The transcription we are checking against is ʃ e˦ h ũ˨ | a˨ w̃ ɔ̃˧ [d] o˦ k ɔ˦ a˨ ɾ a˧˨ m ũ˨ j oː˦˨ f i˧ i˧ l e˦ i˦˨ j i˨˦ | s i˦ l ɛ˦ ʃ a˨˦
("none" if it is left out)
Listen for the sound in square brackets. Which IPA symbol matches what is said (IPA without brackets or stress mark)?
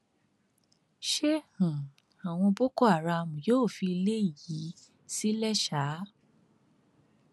b